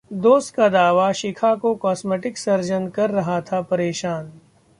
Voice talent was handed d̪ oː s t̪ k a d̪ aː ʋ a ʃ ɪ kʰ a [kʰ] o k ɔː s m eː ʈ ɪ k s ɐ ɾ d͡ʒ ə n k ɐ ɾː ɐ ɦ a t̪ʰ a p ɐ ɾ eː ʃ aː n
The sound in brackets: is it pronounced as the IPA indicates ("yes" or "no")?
no